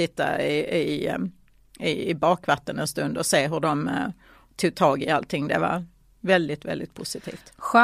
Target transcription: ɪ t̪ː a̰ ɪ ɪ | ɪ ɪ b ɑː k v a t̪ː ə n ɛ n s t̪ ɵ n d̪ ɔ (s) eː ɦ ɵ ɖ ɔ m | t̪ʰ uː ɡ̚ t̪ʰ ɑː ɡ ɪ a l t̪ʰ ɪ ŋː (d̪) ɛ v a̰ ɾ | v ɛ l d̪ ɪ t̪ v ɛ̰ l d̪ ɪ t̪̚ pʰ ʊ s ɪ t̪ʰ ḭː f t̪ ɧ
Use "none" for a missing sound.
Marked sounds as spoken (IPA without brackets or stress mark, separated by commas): s, d̪